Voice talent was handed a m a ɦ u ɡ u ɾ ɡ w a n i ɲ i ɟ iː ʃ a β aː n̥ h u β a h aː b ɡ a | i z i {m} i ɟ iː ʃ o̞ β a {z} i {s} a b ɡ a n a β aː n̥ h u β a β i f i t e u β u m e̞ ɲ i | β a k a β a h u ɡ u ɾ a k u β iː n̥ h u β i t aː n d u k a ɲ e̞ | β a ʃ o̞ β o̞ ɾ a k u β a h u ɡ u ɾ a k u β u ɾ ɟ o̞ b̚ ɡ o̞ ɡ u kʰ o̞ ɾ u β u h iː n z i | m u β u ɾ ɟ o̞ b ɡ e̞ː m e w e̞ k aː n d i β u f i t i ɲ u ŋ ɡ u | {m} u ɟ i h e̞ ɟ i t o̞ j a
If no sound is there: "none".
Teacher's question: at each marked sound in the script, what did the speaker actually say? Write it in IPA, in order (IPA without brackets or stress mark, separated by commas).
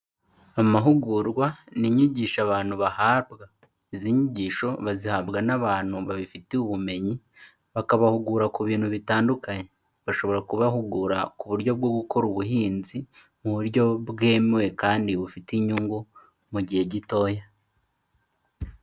ɲ, z, h, m